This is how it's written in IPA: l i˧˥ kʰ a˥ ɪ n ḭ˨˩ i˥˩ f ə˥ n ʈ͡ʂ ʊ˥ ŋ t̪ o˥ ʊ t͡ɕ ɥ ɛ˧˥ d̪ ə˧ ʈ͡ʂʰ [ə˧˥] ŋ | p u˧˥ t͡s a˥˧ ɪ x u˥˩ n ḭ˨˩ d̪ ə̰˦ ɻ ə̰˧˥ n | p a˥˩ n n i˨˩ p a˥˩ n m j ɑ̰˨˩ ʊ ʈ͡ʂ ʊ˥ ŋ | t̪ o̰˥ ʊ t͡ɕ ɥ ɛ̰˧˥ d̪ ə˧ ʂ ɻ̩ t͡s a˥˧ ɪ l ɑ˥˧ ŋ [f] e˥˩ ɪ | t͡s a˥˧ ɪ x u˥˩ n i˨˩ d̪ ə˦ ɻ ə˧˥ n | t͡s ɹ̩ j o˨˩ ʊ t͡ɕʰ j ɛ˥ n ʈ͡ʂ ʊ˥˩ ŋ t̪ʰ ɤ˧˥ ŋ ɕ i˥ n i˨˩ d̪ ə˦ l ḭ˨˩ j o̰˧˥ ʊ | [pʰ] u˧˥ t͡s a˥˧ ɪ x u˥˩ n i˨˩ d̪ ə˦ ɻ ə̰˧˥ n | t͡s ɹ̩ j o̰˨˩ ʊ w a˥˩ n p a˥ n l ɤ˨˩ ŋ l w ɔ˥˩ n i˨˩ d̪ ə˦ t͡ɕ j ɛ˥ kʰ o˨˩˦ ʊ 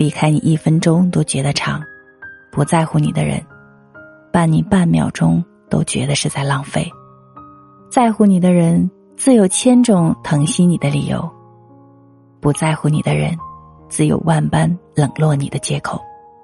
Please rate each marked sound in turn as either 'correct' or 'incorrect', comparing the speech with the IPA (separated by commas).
incorrect, correct, incorrect